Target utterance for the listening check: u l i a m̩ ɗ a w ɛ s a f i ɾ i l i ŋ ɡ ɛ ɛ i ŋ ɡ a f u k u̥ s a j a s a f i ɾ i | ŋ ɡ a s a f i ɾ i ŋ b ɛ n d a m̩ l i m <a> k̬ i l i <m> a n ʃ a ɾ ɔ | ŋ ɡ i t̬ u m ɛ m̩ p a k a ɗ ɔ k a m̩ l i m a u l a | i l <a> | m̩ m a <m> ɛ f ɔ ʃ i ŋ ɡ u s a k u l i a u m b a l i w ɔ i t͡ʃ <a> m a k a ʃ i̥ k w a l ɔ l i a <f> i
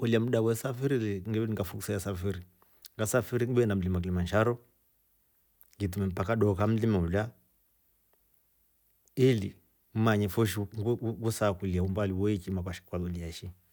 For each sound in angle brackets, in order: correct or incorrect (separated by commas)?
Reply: correct, correct, incorrect, incorrect, incorrect, incorrect